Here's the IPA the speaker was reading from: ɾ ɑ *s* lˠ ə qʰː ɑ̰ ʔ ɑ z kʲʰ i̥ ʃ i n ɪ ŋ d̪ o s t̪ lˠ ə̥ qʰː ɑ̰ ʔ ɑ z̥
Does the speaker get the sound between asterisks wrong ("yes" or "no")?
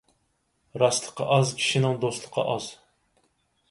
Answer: no